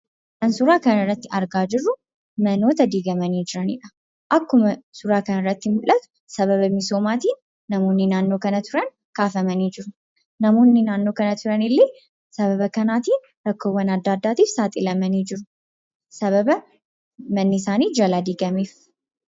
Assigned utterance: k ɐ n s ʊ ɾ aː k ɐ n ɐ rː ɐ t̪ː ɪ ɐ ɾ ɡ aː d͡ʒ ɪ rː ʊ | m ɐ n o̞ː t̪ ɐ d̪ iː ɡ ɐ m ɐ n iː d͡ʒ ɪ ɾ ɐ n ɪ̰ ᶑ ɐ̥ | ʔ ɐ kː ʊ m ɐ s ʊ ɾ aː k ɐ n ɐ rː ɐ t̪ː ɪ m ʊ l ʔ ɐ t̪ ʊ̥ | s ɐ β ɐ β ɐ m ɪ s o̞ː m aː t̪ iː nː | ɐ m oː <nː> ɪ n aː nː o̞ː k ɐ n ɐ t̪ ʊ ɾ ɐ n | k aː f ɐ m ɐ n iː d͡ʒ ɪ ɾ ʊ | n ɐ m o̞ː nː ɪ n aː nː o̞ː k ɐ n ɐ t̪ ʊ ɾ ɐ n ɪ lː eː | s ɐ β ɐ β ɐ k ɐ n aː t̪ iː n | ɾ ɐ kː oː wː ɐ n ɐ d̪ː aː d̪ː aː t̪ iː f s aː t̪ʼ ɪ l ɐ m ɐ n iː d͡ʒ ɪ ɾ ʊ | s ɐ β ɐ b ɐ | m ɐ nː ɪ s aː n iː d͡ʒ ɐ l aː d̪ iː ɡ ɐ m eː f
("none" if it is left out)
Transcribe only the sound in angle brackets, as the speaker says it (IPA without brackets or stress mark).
nː